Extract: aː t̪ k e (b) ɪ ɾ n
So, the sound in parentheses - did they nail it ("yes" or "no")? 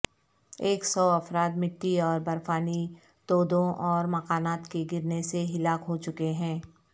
no